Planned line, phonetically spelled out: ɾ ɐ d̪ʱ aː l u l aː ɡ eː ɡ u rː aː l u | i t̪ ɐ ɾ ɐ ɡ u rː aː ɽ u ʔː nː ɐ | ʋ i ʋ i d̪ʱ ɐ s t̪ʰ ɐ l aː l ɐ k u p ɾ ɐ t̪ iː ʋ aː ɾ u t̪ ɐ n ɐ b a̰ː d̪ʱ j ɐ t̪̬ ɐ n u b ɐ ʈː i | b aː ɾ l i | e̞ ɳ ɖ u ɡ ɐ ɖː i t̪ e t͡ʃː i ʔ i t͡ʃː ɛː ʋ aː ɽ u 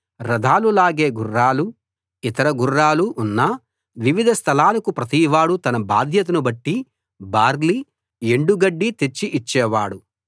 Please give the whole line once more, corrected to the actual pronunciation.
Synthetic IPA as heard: ɾ ɐ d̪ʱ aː l u l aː ɡ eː ɡ u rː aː l u | i t̪ ɐ ɾ ɐ ɡ u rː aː l u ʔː nː ɐ | ʋ i ʋ i d̪ʱ ɐ s t̪ʰ ɐ l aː l ɐ k u p ɾ ɐ t̪ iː ʋ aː ɽ u t̪ ɐ n ɐ b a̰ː d̪ʱ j ɐ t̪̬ ɐ n u b ɐ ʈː i | b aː ɾ l i | e̞ ɳ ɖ u ɡ ɐ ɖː i t̪ e t͡ʃː i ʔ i t͡ʃː ɛː ʋ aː ɽ u

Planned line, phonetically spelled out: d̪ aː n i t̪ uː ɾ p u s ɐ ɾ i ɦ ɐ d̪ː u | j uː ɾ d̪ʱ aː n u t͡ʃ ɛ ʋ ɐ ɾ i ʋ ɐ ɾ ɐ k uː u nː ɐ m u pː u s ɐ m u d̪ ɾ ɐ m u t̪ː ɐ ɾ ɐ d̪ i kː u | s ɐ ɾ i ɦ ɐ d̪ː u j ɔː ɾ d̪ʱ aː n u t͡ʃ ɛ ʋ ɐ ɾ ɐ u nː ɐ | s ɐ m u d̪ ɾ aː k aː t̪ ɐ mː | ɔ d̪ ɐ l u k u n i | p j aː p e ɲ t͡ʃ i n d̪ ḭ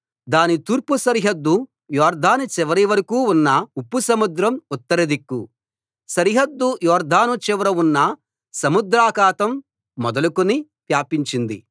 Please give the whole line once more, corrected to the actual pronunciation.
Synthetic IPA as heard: d̪ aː n i t̪ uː ɾ p u s ɐ ɾ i ɦ ɐ d̪ː u | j ɔː ɾ d̪ʱ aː n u t͡ʃ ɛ ʋ ɐ ɾ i ʋ ɐ ɾ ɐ k uː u nː ɐ u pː u s ɐ m u d̪ ɾ ɐ m u t̪ː ɐ ɾ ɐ d̪ i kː u | s ɐ ɾ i ɦ ɐ d̪ː u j ɔː ɾ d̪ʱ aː n u t͡ʃ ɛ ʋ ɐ ɾ ɐ u nː ɐ | s ɐ m u d̪ ɾ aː k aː t̪ ɐ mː | ɔ d̪ ɐ l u k u n i | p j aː p i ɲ t͡ʃ i n d̪ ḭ

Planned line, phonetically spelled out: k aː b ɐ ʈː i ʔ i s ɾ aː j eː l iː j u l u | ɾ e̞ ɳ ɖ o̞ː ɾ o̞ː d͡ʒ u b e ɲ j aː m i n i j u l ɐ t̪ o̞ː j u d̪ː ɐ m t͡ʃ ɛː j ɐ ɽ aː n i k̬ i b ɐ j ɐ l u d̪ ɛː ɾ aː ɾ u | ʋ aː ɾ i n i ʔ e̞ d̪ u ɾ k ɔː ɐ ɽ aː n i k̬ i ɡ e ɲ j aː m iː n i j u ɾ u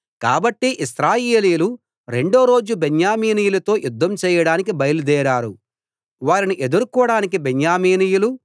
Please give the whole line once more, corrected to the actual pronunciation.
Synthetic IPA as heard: k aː b ɐ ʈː i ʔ i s ɾ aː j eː l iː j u l u | ɾ e̞ ɳ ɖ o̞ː ɾ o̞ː d͡ʒ u b e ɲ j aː m iː n i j u l ɐ t̪ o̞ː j u d̪ː ɐ m t͡ʃ ɛː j ɐ ɽ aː n i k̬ i b ɐ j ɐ l u d̪ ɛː ɾ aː ɾ u | ʋ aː ɾ i n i ʔ e̞ d̪ u ɾ k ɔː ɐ ɽ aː n i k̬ i b e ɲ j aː m iː n i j u l u

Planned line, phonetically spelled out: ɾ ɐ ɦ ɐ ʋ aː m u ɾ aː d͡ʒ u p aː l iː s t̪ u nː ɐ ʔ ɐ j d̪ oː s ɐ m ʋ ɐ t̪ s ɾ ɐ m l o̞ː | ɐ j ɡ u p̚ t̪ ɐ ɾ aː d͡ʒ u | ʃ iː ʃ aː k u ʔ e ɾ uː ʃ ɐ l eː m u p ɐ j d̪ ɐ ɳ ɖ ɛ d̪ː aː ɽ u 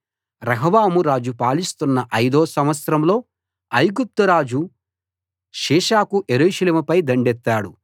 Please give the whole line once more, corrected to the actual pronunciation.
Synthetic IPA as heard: ɾ ɐ ɦ ɐ ʋ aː m u ɾ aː d͡ʒ u p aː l i s t̪ u nː ɐ ʔ ɐ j d̪ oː s ɐ m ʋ ɐ t̪ s ɾ ɐ m l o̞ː | ɐ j ɡ u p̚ t̪ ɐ ɾ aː d͡ʒ u | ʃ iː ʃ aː k u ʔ e ɾ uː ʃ ɐ l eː m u p ɐ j d̪ ɐ ɳ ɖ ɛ t̪ː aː ɽ u

